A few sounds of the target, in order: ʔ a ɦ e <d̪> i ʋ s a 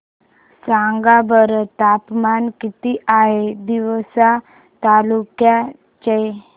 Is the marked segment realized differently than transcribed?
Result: no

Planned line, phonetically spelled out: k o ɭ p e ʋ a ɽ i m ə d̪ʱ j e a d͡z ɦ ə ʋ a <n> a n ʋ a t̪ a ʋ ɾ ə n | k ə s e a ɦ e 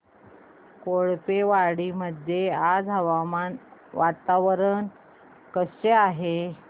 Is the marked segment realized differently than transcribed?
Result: yes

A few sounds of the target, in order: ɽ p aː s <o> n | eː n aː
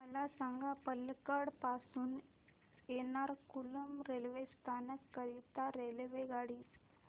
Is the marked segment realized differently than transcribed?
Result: yes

